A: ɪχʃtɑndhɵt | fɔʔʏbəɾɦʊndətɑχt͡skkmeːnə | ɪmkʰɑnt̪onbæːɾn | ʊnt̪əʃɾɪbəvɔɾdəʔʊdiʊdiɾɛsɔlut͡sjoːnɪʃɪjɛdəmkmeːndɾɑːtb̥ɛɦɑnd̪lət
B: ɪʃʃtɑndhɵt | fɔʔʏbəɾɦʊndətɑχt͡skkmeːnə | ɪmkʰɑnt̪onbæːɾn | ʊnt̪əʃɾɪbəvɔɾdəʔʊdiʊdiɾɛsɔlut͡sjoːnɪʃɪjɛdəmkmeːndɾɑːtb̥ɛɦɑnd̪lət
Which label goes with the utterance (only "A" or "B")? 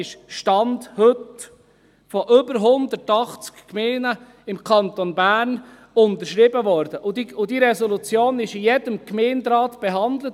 B